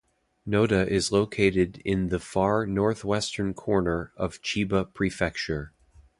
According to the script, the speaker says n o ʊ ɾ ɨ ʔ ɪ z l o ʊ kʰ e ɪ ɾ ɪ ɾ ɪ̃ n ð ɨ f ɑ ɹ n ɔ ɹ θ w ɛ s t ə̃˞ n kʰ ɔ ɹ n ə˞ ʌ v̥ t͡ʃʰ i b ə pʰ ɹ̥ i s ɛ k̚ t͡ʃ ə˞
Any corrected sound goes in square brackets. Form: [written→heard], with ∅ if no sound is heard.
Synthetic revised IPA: n o ʊ ɾ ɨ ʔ ɪ z l o ʊ kʰ e ɪ ɾ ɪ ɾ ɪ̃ n ð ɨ f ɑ ɹ n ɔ ɹ θ w ɛ s t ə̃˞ n kʰ ɔ ɹ n ə˞ ʌ v̥ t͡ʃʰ i b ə pʰ ɹ̥ i [s→f] ɛ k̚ t͡ʃ ə˞